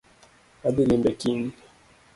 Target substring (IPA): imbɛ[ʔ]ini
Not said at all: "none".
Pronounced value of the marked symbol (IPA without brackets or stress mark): k